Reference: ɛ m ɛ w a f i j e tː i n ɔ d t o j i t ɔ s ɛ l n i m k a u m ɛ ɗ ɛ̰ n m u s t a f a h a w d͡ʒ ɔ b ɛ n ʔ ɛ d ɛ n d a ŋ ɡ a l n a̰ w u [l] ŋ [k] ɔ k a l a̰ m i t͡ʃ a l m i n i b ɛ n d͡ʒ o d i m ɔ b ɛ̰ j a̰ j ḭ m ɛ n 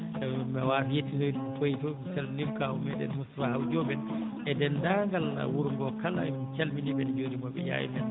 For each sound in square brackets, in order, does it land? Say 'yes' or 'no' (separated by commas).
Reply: no, no